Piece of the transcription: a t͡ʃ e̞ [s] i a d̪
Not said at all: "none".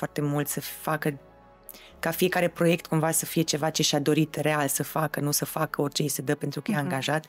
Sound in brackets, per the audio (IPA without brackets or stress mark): ʃ